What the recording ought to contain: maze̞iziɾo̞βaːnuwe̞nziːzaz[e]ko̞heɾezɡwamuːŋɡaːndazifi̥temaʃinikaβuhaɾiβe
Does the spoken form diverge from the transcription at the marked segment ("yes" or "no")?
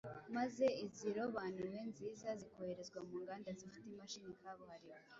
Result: yes